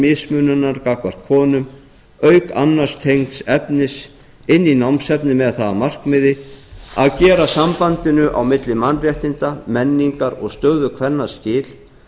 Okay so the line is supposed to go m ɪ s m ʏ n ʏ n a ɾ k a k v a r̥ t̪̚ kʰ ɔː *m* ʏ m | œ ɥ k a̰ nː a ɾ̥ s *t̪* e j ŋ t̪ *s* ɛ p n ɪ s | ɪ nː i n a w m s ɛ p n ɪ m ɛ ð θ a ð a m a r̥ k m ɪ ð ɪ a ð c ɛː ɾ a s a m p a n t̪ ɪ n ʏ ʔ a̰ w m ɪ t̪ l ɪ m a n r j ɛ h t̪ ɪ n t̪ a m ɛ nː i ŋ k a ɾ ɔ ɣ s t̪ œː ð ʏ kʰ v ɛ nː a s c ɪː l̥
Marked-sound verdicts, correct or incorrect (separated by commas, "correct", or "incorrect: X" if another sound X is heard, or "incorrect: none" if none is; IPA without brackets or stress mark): incorrect: n, incorrect: t̪ʰ, correct